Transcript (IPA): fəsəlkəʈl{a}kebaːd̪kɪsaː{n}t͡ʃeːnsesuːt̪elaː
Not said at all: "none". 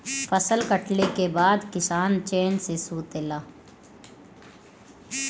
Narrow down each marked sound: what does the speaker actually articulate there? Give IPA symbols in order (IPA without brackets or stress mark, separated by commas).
e, n